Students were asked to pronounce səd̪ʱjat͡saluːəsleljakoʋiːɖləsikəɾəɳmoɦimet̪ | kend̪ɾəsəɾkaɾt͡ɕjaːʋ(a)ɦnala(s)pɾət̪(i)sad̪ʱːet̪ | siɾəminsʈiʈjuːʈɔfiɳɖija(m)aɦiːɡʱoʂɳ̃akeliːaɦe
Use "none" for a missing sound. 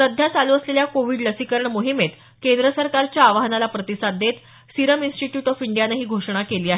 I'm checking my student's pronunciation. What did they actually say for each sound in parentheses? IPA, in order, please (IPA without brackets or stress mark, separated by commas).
a, none, i, n